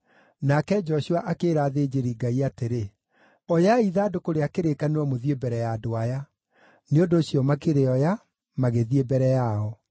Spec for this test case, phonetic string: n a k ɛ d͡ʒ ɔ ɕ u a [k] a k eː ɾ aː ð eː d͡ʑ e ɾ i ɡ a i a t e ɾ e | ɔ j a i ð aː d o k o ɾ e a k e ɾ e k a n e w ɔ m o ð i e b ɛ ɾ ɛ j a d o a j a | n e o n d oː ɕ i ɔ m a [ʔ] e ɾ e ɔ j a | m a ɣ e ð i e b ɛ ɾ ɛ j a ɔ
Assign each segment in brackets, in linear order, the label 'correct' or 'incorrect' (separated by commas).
incorrect, incorrect